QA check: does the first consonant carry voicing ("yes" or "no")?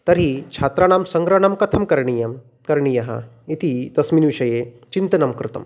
no